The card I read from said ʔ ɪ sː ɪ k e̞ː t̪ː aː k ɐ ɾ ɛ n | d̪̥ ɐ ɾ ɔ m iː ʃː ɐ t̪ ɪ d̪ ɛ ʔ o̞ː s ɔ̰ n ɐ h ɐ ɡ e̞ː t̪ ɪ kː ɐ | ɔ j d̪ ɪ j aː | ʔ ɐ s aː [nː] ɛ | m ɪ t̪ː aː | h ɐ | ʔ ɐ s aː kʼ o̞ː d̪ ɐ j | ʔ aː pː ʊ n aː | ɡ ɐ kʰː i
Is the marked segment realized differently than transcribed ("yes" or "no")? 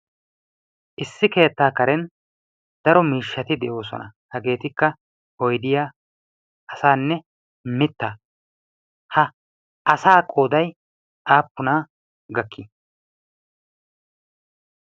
no